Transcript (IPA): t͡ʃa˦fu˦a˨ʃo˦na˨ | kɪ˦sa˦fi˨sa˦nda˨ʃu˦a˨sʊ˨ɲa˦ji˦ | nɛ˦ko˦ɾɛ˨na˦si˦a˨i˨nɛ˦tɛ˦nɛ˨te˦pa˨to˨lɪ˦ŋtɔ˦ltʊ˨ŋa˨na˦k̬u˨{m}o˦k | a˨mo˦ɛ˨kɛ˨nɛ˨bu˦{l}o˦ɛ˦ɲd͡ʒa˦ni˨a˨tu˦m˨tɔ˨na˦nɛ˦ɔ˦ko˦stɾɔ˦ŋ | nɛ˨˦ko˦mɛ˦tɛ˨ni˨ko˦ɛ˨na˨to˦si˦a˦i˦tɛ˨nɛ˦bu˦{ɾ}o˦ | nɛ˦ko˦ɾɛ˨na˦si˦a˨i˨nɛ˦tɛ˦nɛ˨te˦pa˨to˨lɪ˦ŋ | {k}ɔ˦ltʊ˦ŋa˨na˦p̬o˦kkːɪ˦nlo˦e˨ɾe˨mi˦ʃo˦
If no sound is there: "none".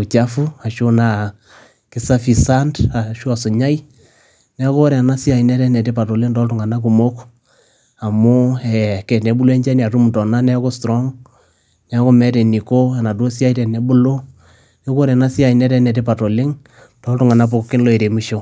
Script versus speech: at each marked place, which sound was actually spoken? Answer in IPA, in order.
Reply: m, l, l, t

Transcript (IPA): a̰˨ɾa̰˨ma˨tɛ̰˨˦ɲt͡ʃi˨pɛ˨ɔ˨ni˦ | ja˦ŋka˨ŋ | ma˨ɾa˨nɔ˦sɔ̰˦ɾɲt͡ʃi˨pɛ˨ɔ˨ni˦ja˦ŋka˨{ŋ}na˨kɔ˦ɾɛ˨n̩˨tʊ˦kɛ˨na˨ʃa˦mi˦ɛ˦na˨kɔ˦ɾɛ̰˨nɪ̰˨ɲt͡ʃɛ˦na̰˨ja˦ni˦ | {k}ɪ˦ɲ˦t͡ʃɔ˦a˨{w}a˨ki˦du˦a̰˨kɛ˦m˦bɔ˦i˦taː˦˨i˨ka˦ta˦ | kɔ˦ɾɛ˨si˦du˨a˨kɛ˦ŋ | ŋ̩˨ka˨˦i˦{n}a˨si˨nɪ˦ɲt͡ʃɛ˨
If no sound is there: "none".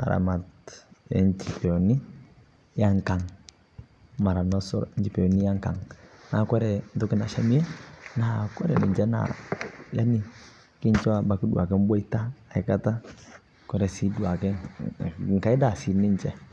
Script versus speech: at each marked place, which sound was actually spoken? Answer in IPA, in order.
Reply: ŋ, k, b, d

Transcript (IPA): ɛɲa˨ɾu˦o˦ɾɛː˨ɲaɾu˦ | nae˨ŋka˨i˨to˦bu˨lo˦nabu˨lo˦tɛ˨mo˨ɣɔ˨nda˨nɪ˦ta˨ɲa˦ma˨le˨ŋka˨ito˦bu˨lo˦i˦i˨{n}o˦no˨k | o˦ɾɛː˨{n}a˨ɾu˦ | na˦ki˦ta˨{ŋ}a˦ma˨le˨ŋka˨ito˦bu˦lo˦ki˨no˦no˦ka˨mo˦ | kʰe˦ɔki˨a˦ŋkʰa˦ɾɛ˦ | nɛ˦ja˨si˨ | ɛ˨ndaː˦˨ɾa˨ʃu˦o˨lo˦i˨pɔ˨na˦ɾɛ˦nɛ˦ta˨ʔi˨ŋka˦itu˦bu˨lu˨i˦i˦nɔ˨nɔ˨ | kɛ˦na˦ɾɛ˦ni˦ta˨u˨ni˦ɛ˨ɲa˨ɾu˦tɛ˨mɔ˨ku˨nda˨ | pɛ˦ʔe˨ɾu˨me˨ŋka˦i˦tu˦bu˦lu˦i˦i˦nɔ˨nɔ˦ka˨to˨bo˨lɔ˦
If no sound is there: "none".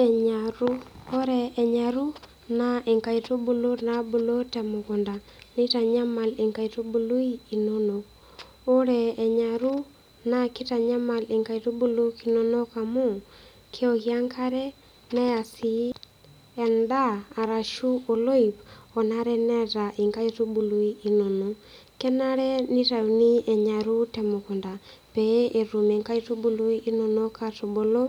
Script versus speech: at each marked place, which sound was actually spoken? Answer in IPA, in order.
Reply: n, ɲ, ɲ

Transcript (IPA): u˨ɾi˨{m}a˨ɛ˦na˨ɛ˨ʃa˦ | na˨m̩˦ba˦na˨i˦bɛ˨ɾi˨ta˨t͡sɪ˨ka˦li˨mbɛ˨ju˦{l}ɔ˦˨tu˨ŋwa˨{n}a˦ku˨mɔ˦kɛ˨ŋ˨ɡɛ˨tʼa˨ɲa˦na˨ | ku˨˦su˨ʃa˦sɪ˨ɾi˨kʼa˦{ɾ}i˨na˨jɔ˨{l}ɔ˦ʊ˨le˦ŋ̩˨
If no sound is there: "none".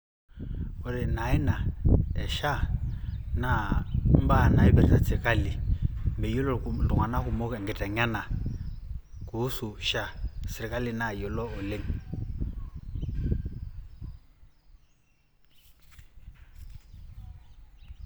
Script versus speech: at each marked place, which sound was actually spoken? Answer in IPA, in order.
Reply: n, l, n, l, l

